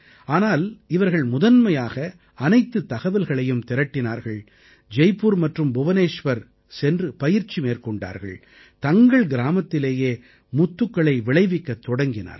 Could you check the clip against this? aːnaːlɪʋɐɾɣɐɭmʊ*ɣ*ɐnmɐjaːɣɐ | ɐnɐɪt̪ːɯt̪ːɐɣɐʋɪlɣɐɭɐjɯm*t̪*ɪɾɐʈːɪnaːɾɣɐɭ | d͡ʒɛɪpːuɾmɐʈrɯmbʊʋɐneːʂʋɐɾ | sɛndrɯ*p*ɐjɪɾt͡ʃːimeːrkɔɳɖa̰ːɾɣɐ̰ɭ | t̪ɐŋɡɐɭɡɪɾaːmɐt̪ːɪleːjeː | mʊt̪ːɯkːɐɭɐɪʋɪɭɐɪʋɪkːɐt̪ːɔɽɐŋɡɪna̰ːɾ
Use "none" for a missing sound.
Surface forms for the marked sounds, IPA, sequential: ð, t̪, p

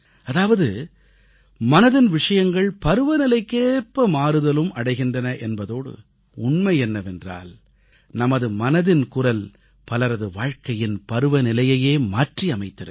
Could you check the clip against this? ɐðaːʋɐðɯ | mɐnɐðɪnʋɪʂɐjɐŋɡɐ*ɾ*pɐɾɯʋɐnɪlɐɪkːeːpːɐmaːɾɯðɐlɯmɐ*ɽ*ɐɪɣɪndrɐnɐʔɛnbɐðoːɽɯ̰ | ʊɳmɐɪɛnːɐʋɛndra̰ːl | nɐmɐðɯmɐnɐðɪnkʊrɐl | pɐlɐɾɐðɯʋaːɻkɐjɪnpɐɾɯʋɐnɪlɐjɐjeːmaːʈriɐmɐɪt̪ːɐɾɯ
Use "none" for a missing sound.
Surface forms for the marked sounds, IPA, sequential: ɭ, ɽ

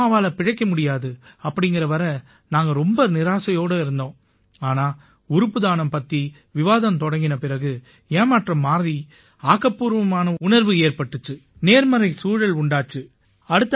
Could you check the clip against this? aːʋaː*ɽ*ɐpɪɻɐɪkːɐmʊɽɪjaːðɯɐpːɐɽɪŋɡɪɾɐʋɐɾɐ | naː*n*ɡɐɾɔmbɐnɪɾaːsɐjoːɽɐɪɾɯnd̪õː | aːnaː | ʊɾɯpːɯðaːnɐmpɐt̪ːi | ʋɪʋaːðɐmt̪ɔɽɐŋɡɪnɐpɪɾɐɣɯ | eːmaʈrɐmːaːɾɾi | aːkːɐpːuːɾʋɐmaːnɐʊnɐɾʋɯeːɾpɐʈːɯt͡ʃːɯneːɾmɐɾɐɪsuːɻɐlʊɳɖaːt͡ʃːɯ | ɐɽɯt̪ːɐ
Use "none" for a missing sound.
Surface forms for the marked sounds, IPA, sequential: l, ŋ

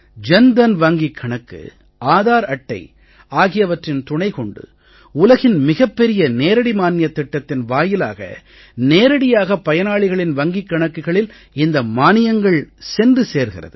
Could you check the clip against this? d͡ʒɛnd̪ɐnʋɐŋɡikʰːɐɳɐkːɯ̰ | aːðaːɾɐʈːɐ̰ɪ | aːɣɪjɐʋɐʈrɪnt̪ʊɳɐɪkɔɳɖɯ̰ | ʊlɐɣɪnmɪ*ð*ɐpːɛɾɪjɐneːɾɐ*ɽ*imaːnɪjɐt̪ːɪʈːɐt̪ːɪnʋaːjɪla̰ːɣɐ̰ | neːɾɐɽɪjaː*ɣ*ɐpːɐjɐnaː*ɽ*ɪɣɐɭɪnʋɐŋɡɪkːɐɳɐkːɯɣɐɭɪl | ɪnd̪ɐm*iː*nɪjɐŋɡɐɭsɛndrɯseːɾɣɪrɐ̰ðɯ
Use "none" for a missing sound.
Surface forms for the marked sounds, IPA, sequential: ɣ, ɽ, ɣ, ɭ, aː

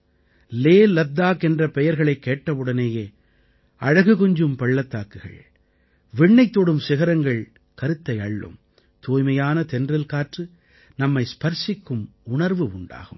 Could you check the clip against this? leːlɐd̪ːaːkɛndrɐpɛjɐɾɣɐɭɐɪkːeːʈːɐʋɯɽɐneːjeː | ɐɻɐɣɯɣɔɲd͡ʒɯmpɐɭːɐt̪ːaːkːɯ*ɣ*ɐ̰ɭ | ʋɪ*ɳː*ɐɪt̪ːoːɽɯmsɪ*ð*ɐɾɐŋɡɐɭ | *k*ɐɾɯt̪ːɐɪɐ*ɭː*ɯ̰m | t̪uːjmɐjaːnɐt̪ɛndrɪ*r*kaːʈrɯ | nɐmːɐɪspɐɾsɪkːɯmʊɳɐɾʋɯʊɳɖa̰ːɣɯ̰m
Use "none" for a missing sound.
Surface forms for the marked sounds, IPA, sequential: ɣ, ɳː, ɣ, k, ɭː, l

